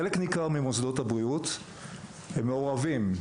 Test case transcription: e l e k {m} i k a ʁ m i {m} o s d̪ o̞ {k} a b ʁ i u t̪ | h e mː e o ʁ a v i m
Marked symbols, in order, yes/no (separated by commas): no, yes, no